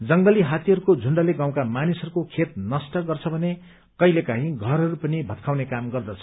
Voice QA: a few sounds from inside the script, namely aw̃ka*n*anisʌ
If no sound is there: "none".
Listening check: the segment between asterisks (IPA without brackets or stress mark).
m